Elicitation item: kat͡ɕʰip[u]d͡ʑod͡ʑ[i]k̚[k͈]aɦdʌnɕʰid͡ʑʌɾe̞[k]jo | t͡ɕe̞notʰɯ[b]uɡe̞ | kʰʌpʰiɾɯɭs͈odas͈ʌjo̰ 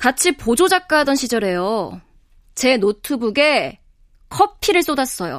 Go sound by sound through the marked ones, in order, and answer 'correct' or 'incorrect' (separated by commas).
incorrect, incorrect, correct, incorrect, correct